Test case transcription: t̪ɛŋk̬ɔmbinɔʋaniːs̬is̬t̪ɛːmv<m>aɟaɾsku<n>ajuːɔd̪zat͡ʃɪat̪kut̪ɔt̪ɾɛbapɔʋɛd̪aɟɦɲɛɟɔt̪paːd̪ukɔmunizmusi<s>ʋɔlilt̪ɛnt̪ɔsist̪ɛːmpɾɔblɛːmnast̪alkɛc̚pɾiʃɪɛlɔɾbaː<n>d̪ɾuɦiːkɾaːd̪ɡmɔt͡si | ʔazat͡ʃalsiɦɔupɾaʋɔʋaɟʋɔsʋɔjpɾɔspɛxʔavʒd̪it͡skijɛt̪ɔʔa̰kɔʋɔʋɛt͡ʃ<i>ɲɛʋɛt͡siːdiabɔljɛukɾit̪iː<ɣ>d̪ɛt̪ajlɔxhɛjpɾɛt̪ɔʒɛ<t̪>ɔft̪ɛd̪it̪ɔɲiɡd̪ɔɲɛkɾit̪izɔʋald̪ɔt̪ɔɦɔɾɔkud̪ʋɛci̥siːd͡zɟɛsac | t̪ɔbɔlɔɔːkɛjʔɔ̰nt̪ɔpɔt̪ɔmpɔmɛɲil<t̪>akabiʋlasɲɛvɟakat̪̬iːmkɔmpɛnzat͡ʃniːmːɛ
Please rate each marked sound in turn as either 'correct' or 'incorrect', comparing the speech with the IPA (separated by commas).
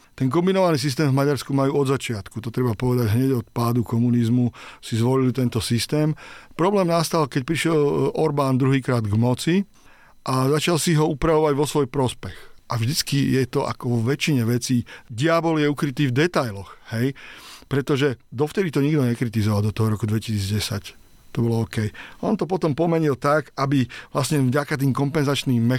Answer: correct, incorrect, incorrect, correct, correct, incorrect, incorrect, correct